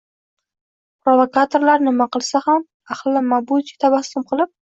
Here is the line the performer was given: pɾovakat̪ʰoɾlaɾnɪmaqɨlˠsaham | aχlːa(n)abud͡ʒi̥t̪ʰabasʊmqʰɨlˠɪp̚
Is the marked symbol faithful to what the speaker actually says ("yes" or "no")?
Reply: no